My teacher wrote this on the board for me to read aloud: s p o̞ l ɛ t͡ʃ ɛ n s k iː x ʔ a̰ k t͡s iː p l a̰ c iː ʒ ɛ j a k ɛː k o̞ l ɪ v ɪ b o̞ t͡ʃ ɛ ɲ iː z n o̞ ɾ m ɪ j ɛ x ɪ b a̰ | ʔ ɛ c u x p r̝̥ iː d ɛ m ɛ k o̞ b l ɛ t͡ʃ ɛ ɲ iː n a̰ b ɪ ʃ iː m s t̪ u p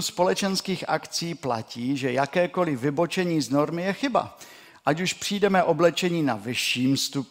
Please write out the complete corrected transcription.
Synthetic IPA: s p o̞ l ɛ t͡ʃ ɛ n s k iː x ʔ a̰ k t͡s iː p l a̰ c iː ʒ ɛ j a k ɛː k o̞ l ɪ v ɪ b o̞ t͡ʃ ɛ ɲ iː z n o̞ ɾ m ɪ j ɛ x ɪ b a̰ | ʔ a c u ʃ p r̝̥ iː d ɛ m ɛ ʔ o̞ b l ɛ t͡ʃ ɛ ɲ iː n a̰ v ɪ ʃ iː m s t̪ u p